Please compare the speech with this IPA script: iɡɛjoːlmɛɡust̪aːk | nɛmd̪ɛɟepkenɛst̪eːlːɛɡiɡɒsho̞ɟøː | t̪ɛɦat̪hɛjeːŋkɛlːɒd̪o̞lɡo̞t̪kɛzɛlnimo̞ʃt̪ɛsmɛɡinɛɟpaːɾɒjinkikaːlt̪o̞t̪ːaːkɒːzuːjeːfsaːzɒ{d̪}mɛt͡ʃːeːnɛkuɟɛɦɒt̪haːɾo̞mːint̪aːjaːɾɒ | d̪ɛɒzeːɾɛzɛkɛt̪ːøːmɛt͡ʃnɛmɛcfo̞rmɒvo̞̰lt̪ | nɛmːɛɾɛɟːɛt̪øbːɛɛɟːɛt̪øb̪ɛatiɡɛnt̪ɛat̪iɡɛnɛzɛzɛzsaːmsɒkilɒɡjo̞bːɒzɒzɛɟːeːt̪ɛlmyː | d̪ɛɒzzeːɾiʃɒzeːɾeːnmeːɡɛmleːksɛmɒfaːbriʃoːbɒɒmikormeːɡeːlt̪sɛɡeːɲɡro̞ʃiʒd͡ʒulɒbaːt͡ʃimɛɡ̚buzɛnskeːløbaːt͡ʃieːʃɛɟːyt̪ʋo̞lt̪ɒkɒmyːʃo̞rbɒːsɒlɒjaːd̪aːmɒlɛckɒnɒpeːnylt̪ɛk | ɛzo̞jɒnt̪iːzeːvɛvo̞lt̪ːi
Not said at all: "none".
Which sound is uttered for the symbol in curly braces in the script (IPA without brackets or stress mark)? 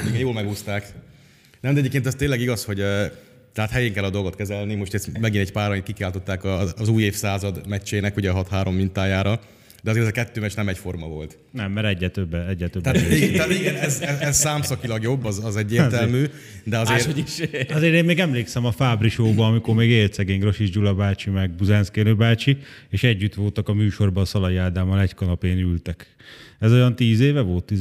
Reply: d̪